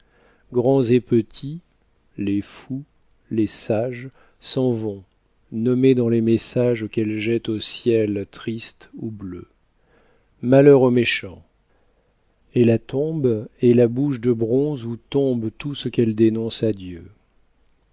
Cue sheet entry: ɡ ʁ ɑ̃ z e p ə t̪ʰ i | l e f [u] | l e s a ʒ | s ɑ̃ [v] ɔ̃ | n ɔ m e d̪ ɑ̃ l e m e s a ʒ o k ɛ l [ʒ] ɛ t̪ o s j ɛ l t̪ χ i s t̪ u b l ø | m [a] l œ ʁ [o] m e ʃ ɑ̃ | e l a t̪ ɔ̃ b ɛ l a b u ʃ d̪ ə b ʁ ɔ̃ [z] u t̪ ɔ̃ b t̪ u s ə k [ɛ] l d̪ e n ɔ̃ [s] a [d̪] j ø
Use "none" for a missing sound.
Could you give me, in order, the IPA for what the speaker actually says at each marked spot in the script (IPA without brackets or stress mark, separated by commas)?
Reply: u, v, ʒ, a, o, z, ɛ, s, d̪